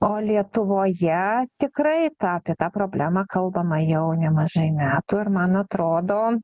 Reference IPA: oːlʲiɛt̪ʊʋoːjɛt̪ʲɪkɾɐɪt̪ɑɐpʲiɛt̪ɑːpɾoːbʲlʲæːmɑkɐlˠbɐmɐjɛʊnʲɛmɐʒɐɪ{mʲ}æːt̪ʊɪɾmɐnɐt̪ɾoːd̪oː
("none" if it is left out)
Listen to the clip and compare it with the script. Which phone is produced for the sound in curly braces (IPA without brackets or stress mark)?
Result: mʲ